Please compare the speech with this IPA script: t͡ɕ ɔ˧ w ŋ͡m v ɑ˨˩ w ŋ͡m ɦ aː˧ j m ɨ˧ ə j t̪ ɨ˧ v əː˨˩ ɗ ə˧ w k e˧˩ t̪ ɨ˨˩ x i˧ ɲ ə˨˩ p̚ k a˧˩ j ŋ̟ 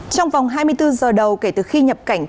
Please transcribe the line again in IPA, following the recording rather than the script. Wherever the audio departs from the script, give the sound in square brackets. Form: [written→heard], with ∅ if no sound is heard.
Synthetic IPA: t͡ɕ ɔ˧ w ŋ͡m v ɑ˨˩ w ŋ͡m ɦ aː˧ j m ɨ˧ ə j t̪ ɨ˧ [v→z] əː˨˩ ɗ [ə˧→ə˨˩] w k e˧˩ t̪ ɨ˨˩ x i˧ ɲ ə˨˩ p̚ k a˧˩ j ŋ̟